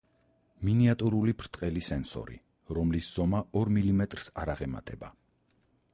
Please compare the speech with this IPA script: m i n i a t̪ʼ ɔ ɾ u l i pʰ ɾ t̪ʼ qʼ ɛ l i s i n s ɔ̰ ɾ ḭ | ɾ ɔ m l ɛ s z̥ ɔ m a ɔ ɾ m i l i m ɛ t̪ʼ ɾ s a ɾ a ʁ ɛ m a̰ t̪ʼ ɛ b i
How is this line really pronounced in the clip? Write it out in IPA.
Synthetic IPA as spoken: m i n i a t̪ʼ u ɾ u l i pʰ ɾ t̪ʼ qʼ ɛ l i s ɛ n s ɔ̰ ɾ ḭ | ɾ ɔ m l i s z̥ ɔ m a ɔ ɾ m i l i m ɛ t̪ʼ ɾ s a ɾ a ʁ ɛ m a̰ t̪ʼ ɛ b a